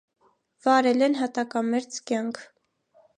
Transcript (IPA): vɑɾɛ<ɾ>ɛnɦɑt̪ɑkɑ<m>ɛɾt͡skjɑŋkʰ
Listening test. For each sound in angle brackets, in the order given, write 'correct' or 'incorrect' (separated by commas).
incorrect, correct